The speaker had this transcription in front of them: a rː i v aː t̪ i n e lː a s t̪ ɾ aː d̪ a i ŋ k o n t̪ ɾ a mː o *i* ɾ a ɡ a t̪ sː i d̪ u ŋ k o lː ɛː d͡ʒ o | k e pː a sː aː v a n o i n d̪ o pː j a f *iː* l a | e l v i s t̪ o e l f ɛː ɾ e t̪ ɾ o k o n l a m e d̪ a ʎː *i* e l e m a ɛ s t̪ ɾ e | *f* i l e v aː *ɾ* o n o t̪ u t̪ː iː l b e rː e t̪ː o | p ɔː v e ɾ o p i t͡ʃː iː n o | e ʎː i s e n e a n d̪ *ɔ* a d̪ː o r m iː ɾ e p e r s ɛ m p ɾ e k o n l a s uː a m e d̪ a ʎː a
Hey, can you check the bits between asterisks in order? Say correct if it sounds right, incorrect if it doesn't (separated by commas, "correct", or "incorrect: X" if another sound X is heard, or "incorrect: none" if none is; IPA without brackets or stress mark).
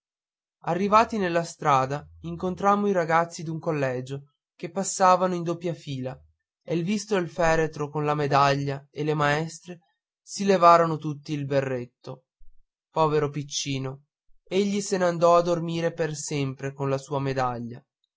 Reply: correct, correct, incorrect: a, incorrect: s, correct, correct